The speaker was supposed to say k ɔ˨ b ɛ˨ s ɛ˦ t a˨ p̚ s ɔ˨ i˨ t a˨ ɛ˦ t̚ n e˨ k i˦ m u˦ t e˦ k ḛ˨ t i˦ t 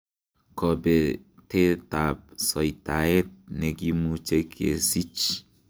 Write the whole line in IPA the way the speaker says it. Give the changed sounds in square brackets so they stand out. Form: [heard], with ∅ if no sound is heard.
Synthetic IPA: k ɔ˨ b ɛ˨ [t] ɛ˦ t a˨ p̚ s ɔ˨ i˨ t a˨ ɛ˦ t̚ n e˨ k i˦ m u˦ [t͡ʃ] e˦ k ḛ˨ [s] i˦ [t͡ʃ]